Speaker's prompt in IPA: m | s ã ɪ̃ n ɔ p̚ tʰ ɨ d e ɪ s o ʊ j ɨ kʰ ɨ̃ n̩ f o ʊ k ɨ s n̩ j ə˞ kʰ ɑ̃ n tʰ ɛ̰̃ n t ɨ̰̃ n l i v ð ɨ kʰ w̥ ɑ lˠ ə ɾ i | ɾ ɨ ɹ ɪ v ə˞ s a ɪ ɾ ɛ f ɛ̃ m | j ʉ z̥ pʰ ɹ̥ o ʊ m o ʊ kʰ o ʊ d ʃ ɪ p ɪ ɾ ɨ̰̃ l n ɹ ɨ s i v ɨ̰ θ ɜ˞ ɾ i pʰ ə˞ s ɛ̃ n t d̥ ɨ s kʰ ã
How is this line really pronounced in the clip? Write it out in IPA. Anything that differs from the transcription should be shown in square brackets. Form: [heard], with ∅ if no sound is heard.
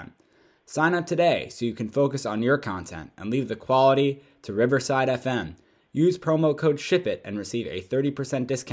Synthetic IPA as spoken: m | s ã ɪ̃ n [ʌ] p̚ tʰ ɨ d e ɪ s o ʊ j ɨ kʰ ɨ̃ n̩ f o ʊ k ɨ s n̩ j ə˞ kʰ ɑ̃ n tʰ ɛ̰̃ n t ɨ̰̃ n l i v ð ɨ kʰ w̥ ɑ lˠ ə ɾ i | ɾ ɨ ɹ ɪ v ə˞ s a ɪ ɾ ɛ f ɛ̃ m | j ʉ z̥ pʰ ɹ̥ o ʊ m o ʊ kʰ o ʊ d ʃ ɪ p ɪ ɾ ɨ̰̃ [∅] n ɹ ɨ s i v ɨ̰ θ ɜ˞ ɾ i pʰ ə˞ s ɛ̃ n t d̥ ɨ s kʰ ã